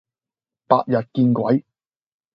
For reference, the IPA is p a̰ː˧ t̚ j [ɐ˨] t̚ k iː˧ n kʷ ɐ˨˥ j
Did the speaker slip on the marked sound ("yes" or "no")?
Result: no